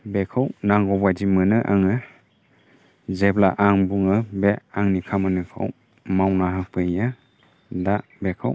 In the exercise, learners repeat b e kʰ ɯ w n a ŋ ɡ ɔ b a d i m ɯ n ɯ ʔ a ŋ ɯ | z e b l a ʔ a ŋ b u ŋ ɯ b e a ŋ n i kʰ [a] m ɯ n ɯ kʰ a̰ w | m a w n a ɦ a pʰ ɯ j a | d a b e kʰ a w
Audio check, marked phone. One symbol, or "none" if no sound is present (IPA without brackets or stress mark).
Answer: a